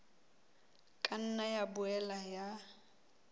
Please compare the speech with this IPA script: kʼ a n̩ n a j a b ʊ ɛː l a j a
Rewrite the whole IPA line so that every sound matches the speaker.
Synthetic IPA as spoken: kʼ a n̩ n a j a b ʊ ɛ l a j a